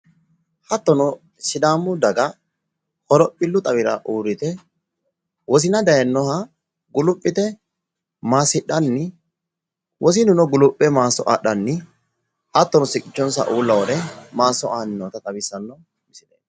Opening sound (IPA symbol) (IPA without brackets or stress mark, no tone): h